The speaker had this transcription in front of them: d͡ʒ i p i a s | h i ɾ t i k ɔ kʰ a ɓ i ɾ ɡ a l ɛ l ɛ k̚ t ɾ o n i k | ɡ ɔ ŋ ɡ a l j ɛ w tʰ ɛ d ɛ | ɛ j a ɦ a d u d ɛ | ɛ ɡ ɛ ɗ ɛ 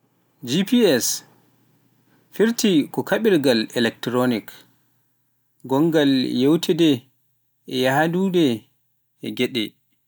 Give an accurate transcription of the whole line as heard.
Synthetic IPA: d͡ʒ i p i ɛ s | f i ɾ t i k ɔ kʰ a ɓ i ɾ ɡ a l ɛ l ɛ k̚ t ɾ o n i k | ɡ ɔ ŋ ɡ a l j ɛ w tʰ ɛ d ɛ | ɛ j a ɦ a d u d ɛ | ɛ ɡ ɛ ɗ ɛ